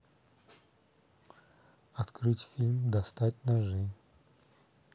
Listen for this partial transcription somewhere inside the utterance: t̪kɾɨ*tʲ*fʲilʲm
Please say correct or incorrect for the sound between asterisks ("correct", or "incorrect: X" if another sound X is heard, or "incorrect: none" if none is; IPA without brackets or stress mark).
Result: correct